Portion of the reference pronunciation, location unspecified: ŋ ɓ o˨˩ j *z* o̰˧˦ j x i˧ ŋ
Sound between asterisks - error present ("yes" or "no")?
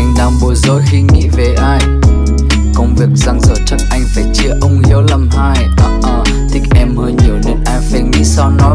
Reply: no